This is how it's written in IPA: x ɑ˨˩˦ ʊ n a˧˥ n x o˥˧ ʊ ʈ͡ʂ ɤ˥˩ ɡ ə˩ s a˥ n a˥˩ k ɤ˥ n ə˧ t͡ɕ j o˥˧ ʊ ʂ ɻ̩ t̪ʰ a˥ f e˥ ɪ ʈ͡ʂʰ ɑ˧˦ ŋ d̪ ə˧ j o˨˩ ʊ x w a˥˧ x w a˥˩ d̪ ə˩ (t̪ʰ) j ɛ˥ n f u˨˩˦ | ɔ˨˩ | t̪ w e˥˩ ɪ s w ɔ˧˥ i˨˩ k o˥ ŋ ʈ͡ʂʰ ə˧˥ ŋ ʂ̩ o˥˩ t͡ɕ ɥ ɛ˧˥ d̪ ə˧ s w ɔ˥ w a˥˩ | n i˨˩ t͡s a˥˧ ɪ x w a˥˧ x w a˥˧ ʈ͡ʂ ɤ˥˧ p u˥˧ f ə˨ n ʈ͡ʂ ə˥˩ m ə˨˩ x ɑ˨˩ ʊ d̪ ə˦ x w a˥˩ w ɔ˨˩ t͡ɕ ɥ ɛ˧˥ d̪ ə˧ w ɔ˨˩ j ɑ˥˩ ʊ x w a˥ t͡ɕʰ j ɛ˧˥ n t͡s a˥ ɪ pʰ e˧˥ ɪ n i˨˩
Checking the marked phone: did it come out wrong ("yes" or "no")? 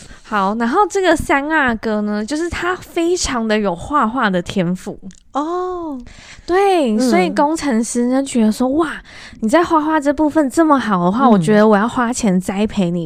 no